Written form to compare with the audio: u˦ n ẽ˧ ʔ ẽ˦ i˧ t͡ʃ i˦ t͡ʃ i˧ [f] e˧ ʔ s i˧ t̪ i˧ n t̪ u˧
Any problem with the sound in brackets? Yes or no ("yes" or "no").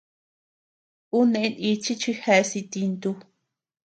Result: yes